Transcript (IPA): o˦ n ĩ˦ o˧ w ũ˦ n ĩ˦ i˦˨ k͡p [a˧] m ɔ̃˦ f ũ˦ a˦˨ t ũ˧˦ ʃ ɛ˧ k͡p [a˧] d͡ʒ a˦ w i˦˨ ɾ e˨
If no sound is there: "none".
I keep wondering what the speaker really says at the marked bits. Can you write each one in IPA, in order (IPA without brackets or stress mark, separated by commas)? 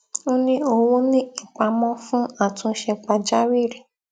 a˧, a˧